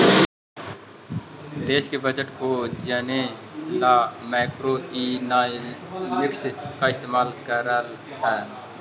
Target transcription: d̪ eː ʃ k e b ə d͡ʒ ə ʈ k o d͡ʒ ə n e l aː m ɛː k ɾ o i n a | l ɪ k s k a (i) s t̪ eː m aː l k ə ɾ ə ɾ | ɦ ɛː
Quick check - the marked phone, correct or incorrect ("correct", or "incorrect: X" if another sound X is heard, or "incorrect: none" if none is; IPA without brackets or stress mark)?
incorrect: ɪ